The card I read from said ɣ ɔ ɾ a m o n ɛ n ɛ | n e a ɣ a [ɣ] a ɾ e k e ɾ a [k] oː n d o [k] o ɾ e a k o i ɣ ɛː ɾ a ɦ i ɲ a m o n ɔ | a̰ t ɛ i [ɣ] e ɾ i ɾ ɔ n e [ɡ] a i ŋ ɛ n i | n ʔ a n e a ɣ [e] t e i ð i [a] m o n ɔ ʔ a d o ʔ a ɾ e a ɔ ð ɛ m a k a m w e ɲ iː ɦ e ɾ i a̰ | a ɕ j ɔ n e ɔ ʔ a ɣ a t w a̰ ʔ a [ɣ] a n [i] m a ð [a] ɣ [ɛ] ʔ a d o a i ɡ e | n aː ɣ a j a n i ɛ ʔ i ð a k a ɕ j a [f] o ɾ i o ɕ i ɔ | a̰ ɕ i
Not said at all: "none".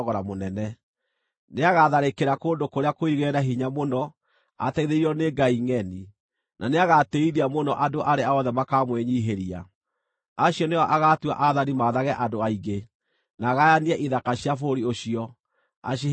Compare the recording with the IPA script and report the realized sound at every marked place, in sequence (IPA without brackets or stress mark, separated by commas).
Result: ð, k, k, ð, ɡ, a, a, ð, i, a, ɛ, f